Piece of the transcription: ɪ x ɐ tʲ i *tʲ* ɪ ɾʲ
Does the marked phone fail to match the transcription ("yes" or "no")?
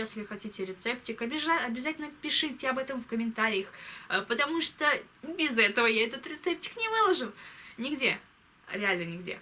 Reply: no